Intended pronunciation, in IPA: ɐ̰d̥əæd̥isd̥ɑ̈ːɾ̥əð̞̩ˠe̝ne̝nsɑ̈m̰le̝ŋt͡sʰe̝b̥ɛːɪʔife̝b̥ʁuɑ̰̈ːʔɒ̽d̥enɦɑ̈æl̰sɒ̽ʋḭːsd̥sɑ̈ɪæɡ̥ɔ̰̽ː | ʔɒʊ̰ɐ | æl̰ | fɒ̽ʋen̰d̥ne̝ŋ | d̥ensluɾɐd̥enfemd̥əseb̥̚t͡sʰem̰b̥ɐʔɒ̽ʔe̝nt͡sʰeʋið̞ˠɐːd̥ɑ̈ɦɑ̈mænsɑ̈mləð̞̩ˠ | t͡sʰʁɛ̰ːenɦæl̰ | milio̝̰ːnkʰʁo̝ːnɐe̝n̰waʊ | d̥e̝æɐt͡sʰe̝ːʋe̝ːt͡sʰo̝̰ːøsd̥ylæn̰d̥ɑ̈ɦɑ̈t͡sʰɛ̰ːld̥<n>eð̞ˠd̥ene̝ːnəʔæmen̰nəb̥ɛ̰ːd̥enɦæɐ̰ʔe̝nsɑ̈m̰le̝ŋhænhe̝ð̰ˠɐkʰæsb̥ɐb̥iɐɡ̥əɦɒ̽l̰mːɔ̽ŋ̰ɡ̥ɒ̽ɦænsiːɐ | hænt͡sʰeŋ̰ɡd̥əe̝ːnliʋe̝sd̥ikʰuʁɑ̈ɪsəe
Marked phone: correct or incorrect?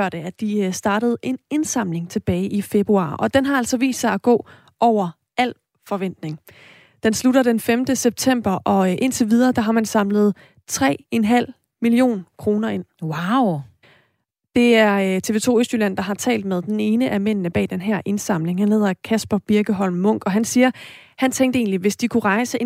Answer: incorrect